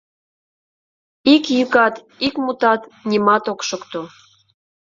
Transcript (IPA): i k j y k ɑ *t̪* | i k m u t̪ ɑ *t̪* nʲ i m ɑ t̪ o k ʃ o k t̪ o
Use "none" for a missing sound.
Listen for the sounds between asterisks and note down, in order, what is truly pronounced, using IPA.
t̪, t̪

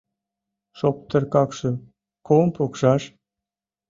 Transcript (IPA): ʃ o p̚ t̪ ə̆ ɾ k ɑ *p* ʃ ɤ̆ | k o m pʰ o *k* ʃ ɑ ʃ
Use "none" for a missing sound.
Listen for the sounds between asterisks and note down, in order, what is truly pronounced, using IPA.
k, k

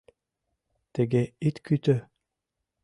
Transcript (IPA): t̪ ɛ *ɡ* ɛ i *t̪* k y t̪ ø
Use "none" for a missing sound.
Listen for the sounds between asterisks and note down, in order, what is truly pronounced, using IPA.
ɡ, t̪

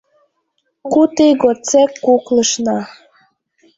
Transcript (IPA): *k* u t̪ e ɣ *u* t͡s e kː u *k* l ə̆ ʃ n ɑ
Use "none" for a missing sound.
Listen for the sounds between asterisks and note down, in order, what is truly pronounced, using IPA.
k, o, k

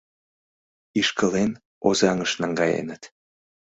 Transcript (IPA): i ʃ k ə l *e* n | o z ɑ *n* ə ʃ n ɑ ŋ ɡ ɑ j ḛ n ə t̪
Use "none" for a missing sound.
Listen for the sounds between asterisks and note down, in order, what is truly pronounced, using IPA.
e, ŋ

